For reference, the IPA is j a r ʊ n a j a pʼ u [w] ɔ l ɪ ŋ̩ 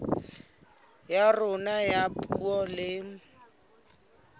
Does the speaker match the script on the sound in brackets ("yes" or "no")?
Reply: no